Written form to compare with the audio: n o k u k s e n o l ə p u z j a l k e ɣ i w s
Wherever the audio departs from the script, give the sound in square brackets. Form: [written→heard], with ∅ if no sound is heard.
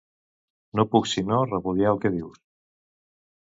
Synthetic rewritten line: n o [k→p] u k s [e→i] n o [l→r] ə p u [z→ð] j a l k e [ɣ→ð] i w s